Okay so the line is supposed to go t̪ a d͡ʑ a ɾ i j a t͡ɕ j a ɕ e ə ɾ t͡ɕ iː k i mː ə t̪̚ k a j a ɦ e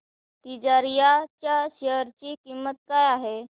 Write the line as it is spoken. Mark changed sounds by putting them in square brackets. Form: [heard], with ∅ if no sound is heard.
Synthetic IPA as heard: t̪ [i] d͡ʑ a ɾ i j a t͡ɕ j a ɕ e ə ɾ t͡ɕ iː k i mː ə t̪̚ k a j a ɦ e